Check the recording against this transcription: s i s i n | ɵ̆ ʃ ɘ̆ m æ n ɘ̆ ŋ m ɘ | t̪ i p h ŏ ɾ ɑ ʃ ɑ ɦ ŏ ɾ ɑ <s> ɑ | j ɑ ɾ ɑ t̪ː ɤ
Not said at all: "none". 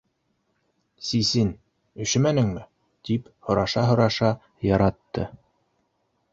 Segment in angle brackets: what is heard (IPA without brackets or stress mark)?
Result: ʃ